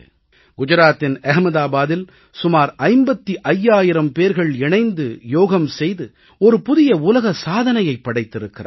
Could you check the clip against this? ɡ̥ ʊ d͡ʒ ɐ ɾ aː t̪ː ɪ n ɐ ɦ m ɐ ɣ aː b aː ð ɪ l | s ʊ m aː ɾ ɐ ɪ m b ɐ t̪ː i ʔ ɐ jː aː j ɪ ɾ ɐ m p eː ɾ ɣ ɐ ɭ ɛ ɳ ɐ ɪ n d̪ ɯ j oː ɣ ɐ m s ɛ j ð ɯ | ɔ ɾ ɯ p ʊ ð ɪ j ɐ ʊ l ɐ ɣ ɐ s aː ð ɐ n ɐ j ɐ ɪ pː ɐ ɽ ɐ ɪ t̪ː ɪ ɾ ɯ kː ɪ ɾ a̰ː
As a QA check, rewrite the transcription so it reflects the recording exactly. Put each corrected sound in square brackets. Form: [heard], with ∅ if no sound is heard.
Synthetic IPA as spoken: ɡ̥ ʊ d͡ʒ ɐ ɾ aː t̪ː ɪ n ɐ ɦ m ɐ [ð] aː b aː ð ɪ l | s ʊ m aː ɾ ɐ ɪ m b ɐ t̪ː i ʔ ɐ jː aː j ɪ ɾ ɐ m p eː ɾ ɣ ɐ ɭ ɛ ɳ ɐ ɪ n d̪ ɯ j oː ɣ ɐ m s ɛ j ð ɯ | ɔ ɾ ɯ p ʊ ð ɪ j ɐ ʊ l ɐ ɣ ɐ s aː ð ɐ n ɐ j ɐ ɪ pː ɐ ɽ ɐ ɪ t̪ː ɪ ɾ ɯ kː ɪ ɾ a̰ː